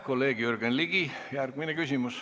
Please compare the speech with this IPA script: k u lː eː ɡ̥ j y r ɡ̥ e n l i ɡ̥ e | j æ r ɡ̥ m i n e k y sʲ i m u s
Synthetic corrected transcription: k o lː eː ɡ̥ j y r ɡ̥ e n l i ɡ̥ i | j æ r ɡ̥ m i n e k y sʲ i m u s